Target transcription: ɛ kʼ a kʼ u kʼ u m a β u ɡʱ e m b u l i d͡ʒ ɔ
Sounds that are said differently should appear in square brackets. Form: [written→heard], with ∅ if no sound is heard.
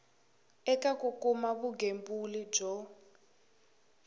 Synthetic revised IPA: ɛ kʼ a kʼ u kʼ u m a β u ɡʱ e m b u l i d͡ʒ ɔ